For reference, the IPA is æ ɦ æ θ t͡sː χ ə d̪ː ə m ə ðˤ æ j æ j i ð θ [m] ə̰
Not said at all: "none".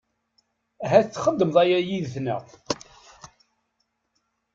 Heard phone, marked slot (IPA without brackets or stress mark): n